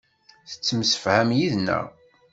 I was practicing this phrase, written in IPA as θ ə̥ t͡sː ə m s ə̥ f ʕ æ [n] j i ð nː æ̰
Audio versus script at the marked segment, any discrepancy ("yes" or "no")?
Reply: yes